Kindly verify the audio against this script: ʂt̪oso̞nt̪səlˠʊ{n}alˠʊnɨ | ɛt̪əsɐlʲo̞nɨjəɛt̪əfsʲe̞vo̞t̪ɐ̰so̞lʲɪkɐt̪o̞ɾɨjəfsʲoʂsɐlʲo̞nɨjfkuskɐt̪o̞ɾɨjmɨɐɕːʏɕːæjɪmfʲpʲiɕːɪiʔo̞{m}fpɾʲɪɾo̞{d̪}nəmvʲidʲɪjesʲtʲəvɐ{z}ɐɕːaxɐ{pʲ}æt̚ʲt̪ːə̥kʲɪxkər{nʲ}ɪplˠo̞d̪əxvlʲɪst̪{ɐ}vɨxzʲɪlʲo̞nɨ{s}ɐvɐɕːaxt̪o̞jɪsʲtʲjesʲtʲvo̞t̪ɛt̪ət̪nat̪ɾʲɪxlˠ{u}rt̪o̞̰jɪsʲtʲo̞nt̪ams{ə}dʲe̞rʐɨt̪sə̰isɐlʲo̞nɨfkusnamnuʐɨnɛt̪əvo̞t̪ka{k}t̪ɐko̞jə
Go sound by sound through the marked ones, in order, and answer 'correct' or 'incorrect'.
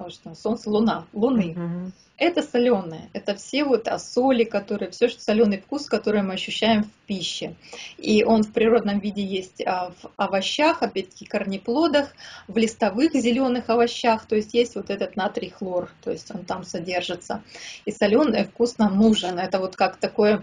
correct, incorrect: n, correct, incorrect: v, correct, correct, correct, incorrect: x, incorrect: o, incorrect: ɐ, correct

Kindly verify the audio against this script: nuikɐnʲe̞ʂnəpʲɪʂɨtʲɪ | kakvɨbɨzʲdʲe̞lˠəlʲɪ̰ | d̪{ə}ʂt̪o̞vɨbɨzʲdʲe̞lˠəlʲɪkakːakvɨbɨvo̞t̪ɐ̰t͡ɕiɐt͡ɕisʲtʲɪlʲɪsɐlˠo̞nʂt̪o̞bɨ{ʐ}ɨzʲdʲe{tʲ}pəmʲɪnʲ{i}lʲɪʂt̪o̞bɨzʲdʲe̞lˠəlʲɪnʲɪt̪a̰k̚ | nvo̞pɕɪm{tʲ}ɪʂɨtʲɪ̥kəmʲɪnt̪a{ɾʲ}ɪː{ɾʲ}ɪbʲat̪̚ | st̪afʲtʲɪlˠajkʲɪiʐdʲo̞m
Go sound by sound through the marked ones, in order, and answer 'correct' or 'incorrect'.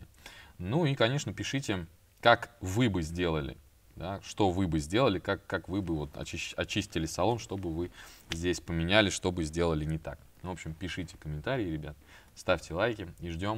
incorrect: a, incorrect: v, incorrect: sʲ, incorrect: æ, incorrect: pʲ, correct, correct

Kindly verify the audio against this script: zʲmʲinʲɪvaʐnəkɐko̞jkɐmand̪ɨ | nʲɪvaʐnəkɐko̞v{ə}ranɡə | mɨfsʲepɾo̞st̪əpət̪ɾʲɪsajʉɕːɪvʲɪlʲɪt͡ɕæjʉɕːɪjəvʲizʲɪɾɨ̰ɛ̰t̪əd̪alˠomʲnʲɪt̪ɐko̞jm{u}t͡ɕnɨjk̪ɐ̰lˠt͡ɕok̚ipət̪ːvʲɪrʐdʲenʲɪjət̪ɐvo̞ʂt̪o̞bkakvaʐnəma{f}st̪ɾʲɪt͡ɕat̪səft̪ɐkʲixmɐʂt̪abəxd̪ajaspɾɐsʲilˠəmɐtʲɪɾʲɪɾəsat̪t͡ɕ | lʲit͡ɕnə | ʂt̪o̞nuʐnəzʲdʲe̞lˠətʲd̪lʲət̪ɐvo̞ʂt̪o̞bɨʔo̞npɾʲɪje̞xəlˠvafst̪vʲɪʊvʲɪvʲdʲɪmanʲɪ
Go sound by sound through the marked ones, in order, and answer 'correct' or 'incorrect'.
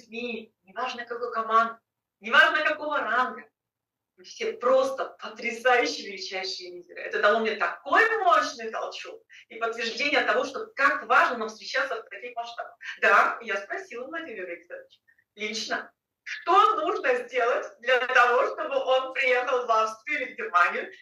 correct, incorrect: o, correct

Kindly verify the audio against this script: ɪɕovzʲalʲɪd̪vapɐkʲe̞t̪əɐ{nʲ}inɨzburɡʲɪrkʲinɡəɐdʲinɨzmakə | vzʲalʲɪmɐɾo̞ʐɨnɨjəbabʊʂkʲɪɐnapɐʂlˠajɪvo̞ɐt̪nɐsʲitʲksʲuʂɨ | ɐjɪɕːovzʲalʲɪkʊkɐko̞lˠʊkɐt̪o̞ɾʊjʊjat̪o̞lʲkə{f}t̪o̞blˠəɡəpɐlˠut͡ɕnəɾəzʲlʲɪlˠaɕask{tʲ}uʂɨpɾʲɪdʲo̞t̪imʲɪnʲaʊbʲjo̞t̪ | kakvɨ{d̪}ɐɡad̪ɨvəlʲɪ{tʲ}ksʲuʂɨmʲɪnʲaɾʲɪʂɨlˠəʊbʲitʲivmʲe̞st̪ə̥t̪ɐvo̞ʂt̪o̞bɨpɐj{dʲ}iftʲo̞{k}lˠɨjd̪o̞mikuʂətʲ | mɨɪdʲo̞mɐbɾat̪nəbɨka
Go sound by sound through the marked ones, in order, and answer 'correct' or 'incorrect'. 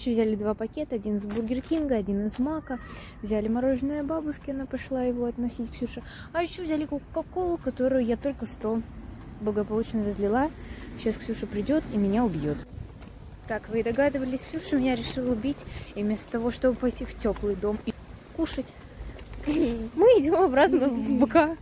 incorrect: dʲ, incorrect: ʂ, incorrect: sʲ, correct, incorrect: sʲ, incorrect: tʲ, incorrect: p

